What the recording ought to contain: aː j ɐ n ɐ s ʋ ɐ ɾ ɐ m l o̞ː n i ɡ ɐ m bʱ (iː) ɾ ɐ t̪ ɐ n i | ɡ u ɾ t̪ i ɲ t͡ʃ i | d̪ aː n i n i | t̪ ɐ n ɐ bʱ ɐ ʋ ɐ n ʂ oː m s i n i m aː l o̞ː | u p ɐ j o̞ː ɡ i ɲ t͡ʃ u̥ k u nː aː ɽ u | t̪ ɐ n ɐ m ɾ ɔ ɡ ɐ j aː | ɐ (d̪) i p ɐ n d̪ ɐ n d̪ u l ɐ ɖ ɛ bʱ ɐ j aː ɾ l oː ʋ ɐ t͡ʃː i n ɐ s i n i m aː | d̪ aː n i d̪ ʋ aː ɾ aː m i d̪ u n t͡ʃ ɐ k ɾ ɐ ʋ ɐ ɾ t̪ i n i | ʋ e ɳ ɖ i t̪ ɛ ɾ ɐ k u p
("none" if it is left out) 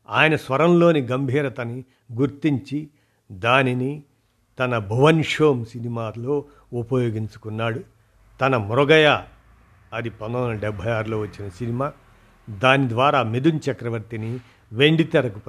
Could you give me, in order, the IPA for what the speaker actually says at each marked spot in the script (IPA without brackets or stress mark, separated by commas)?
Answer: iː, d̪